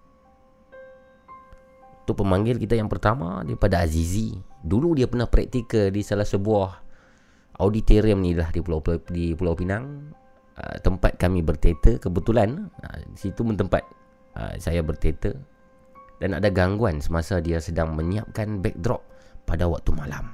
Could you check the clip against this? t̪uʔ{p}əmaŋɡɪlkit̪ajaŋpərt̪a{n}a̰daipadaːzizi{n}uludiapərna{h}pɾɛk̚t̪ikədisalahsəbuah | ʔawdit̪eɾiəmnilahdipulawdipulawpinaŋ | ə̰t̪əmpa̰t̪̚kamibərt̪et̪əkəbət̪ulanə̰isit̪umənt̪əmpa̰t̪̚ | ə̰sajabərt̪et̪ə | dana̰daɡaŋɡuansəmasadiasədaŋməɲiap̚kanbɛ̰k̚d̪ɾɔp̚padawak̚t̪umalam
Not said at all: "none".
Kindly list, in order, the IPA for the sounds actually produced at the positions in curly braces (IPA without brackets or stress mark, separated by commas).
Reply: p, m, d, h